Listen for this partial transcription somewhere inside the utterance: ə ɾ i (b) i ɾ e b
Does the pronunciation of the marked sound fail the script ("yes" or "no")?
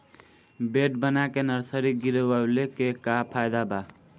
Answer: yes